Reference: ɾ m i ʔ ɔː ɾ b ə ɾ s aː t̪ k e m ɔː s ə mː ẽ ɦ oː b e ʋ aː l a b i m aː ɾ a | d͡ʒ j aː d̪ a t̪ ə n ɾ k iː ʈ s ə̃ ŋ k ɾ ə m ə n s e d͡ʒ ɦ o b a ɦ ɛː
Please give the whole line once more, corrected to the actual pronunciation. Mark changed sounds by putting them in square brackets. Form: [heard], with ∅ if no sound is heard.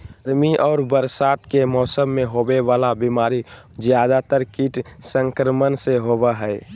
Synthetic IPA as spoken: ɾ m i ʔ ɔː ɾ b ə ɾ s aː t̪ k e m ɔː s ə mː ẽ ɦ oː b e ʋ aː l a b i m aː ɾ [i] | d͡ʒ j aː d̪ a t̪ ə [∅] ɾ k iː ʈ s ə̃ ŋ k ɾ ə m ə n s e [∅] ɦ o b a ɦ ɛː

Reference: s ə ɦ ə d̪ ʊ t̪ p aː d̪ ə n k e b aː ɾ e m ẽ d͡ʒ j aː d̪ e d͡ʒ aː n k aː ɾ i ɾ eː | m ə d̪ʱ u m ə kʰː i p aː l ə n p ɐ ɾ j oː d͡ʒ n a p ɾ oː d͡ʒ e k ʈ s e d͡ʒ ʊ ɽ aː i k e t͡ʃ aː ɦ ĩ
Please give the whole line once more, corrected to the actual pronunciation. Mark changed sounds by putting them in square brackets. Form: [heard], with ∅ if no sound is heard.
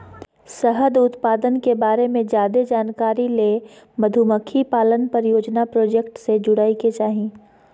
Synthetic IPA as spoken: s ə ɦ ə d̪ ʊ t̪ p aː d̪ ə n k e b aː ɾ e m ẽ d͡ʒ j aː d̪ e d͡ʒ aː n k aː ɾ i [l] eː | m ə d̪ʱ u m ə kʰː i p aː l ə n p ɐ ɾ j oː d͡ʒ n a p ɾ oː d͡ʒ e k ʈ s e d͡ʒ ʊ ɽ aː i k e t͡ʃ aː ɦ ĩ

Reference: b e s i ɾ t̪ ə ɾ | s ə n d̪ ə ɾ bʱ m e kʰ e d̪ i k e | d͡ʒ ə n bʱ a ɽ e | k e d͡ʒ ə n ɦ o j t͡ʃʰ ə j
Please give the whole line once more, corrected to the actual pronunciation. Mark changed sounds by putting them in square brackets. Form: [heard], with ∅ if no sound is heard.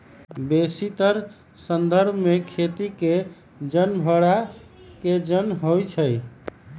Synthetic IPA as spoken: b e s i [∅] t̪ ə ɾ | s ə n d̪ ə ɾ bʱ m e kʰ e [t̪] i k e | d͡ʒ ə n bʱ [ə] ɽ [a] | k e d͡ʒ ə n ɦ o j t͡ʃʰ ə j

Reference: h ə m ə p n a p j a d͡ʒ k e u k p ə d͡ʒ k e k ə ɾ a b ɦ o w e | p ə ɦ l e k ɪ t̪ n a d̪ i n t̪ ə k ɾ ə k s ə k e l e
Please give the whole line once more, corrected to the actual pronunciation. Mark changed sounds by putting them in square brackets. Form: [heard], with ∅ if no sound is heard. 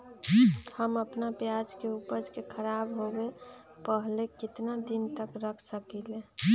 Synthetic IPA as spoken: h ə m ə p n a p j a d͡ʒ k e u [∅] p ə d͡ʒ k e [kʰ] ə ɾ a b ɦ o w e | p ə ɦ l e k ɪ t̪ n a d̪ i n t̪ ə k ɾ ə [kʰ] s ə k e l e

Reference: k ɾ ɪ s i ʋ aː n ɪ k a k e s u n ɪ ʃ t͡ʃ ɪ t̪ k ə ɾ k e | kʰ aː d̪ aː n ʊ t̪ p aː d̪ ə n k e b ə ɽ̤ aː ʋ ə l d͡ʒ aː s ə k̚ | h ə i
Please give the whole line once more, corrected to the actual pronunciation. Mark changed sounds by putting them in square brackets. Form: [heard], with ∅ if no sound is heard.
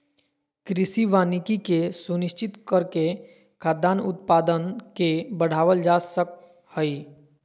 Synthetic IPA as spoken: k ɾ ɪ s i ʋ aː n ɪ k [i] k e s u n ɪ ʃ t͡ʃ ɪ t̪ k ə ɾ k e | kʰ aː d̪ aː n ʊ t̪ p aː d̪ ə n k e b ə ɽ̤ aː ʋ ə l d͡ʒ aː s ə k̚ | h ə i

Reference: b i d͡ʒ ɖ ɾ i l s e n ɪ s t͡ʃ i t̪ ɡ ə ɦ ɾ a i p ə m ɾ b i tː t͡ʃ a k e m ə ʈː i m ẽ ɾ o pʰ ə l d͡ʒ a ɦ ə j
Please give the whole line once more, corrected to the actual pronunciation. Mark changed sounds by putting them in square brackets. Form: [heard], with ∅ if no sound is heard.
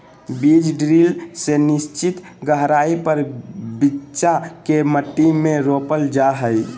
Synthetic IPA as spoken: b i d͡ʒ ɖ ɾ i l s e n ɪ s t͡ʃ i t̪ ɡ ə ɦ ɾ a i p ə [∅] ɾ b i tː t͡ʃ a k e m ə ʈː i m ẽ ɾ o [p] ə l d͡ʒ a ɦ ə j

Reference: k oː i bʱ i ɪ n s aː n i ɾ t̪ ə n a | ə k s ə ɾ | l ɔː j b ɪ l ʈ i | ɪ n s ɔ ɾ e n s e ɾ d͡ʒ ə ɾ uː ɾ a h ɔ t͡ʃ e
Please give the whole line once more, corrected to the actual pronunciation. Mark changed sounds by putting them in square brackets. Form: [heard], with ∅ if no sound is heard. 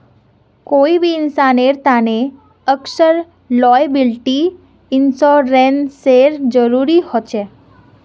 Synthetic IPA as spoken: k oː i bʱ i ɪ n s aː n [e] ɾ t̪ [a] n [e] | ə k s ə ɾ | l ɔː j b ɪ l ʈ i | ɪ n s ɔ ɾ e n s e ɾ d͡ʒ ə ɾ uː ɾ [i] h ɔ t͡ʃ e

